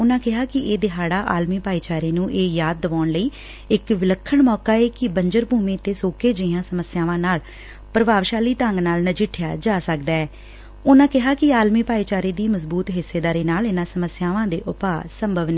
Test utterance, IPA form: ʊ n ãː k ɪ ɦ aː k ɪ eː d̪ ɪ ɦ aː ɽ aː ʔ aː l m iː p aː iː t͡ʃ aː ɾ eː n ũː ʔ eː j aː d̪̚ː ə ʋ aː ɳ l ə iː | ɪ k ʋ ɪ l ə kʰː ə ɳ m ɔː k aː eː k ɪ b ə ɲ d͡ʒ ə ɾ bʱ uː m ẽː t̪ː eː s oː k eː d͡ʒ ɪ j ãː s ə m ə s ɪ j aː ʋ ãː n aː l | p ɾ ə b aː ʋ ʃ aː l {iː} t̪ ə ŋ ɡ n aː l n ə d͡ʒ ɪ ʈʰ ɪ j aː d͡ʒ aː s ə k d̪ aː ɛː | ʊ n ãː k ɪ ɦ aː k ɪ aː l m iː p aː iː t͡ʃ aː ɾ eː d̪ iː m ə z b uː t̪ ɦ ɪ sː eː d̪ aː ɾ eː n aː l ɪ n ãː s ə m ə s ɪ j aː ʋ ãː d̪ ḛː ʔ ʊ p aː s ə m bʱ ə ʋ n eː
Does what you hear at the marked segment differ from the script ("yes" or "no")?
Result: no